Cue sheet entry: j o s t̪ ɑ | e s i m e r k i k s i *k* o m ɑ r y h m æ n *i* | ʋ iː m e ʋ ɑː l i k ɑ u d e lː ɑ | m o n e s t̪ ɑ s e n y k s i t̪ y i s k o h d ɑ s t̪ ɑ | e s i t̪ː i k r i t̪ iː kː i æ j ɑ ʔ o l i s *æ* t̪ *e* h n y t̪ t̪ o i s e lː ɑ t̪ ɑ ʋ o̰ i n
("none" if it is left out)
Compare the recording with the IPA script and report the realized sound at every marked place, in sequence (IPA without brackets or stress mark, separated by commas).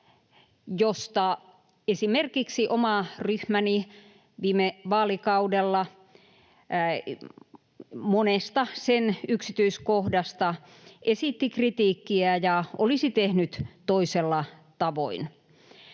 ʔ, i, i, e